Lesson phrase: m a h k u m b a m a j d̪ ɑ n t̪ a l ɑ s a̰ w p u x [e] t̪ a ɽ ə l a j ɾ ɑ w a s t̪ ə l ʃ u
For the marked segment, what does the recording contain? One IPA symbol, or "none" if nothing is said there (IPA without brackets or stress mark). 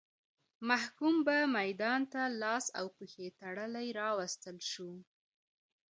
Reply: e